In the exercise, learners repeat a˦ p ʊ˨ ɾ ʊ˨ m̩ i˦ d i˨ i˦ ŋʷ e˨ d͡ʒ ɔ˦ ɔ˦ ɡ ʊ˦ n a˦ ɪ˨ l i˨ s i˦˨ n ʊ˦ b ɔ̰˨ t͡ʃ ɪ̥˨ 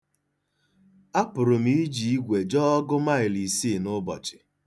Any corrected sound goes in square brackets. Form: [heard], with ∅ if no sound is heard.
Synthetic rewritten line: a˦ p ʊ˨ ɾ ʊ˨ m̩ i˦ [d͡ʒ] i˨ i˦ [ɡʷ] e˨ d͡ʒ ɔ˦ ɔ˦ ɡ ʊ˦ [m] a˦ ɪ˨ l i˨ s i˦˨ n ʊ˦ b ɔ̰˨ t͡ʃ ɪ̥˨

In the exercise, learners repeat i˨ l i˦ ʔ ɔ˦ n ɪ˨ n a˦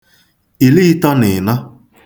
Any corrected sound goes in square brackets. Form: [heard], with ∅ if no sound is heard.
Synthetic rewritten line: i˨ l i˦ [t] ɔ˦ n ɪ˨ n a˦

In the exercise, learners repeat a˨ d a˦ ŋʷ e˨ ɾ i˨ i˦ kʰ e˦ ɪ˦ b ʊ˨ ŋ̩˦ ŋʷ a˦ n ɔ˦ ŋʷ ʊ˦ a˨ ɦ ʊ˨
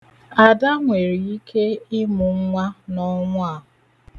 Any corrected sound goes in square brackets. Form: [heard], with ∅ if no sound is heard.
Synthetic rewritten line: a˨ d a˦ ŋʷ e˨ ɾ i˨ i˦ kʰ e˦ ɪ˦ [m] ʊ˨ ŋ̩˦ ŋʷ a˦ n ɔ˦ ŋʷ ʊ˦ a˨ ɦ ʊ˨

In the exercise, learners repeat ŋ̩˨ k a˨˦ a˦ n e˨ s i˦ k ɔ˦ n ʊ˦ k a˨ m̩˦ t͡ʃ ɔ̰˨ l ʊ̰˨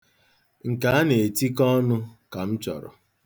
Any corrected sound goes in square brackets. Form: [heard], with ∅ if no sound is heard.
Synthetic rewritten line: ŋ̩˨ k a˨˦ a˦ n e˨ [t] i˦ k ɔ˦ n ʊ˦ k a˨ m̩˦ t͡ʃ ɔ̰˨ [ɾ] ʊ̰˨

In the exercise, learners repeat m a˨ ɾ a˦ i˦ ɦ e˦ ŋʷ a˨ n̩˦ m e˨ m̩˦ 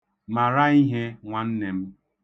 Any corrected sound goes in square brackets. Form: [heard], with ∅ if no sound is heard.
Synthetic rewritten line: m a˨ ɾ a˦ i˦ ɦ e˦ ŋʷ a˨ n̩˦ [n] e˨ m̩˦

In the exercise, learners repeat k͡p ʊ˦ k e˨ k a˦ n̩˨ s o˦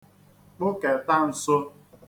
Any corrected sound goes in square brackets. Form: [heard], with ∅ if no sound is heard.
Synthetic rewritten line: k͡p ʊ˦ k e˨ [t] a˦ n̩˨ s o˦

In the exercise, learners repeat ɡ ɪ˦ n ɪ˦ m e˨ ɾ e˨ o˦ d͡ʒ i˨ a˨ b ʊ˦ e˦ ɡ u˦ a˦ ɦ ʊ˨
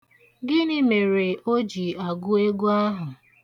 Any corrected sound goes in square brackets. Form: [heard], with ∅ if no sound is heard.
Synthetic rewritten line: ɡ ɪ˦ n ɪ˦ m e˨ ɾ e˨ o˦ d͡ʒ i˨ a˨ [ɡ] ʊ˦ e˦ ɡ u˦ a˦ ɦ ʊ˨

